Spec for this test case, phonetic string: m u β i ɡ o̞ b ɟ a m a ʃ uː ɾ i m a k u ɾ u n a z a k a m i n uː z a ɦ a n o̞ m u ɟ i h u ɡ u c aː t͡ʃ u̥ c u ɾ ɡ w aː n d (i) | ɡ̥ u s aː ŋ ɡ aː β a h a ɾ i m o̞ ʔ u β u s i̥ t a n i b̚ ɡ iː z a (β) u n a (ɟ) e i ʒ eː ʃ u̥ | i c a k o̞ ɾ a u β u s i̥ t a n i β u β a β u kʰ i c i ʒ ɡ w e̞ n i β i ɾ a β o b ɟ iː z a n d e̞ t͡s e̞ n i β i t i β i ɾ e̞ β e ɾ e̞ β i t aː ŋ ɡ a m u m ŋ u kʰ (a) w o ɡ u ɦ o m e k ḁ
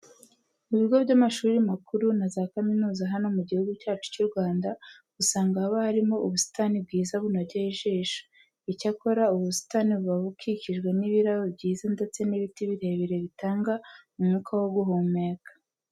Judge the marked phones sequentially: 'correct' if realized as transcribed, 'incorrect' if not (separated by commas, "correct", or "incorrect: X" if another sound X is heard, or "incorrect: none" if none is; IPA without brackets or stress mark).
incorrect: a, correct, correct, correct